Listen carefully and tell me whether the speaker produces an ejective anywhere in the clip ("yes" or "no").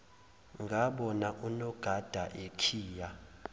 no